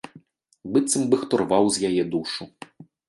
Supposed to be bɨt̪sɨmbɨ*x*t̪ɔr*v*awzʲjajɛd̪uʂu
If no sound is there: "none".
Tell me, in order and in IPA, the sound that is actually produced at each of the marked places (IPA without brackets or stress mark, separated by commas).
x, v